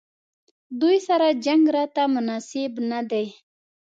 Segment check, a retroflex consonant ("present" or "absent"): absent